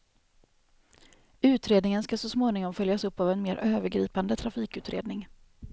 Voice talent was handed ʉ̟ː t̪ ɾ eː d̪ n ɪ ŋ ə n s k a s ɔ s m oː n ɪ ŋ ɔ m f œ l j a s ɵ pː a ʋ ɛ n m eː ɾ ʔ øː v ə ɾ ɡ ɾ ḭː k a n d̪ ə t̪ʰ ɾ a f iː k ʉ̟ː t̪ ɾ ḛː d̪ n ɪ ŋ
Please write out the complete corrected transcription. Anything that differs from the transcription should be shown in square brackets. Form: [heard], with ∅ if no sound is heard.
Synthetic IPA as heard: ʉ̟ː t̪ ɾ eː d̪ n ɪ ŋ ə n s k a s ɔ s m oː n ɪ ŋ ɔ m f œ l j a s ɵ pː a [v] ɛ n m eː ɾ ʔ øː v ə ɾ ɡ ɾ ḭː [p] a n d̪ ə t̪ʰ ɾ a f iː k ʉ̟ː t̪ ɾ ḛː d̪ n ɪ ŋ